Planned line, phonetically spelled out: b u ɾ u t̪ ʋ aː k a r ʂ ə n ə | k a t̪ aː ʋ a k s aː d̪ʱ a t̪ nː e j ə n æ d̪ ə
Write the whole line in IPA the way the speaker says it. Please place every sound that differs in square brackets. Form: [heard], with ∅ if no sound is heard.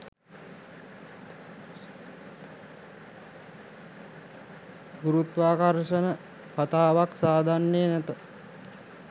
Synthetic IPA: [ɡ] u ɾ u t̪ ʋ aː k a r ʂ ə n ə | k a t̪ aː ʋ a k s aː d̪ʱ a [∅] nː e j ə n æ [t̪] ə